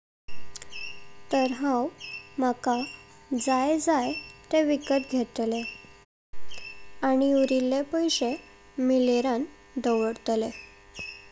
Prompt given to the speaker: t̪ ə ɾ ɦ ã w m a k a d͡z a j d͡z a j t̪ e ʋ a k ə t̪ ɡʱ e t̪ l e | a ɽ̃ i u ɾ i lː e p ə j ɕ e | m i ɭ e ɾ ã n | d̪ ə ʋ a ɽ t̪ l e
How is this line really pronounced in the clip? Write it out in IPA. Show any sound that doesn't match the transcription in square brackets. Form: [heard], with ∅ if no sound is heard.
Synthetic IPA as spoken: t̪ ə ɾ ɦ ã w m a k a d͡z a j d͡z a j t̪ e ʋ [i] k ə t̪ ɡʱ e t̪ l e | a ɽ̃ i u ɾ i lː e p ə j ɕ e | m i [l] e ɾ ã n | d̪ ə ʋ [ə] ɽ t̪ l e

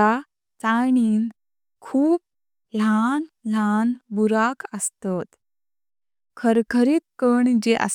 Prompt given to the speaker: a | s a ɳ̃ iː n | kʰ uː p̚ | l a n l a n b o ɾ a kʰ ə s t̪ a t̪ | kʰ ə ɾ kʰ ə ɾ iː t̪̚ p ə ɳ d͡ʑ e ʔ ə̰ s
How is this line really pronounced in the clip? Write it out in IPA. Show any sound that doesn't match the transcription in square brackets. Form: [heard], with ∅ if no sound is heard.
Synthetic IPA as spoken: a | [t͡s] a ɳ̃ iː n | kʰ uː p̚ | l a n l a n b [u] ɾ a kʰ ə s t̪ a t̪ | kʰ ə ɾ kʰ ə ɾ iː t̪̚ [k] ə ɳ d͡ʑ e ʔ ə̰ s

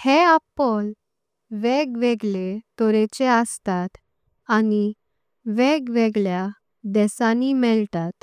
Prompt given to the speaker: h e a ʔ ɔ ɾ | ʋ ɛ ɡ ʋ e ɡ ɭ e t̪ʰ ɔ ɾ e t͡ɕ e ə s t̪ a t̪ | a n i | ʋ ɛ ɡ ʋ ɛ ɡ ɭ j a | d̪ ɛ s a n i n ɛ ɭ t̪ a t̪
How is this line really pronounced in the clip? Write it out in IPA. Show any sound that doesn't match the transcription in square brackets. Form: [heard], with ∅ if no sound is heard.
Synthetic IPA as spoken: h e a [p] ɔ [l] | ʋ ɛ ɡ ʋ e ɡ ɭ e [t̪] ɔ ɾ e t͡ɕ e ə s t̪ a t̪ | a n i | ʋ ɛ ɡ ʋ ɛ ɡ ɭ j a | d̪ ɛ s a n i [m] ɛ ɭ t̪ a t̪

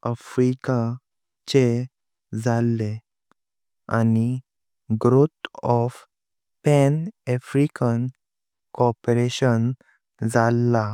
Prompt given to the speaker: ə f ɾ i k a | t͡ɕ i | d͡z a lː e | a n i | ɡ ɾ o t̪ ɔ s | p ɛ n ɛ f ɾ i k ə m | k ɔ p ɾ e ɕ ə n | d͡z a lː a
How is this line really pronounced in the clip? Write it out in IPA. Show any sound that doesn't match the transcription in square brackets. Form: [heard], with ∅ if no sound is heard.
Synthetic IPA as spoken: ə f ɾ i k a | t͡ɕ [e] | d͡z a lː e | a n i | ɡ ɾ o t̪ ɔ [f] | p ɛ n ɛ f ɾ i k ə [n] | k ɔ p ɾ e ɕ ə n | d͡z a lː a

